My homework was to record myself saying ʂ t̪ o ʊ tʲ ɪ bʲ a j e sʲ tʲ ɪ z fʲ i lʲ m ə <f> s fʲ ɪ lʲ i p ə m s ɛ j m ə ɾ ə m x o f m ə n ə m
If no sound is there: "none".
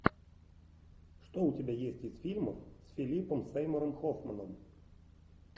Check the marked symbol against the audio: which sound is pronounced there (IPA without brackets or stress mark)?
f